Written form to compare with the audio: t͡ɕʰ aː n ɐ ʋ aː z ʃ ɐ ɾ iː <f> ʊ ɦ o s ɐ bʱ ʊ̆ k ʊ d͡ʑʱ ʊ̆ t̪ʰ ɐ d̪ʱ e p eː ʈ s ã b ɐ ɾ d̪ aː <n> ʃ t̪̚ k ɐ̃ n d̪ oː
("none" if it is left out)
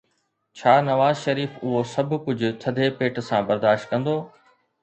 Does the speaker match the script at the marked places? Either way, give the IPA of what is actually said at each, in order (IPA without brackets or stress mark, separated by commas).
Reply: f, none